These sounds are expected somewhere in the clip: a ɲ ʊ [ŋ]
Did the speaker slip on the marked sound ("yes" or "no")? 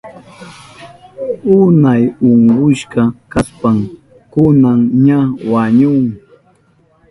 no